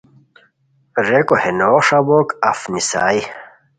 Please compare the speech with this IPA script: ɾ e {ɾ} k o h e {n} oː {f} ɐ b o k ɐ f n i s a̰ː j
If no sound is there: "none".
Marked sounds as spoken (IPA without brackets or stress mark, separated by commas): none, n, ʂ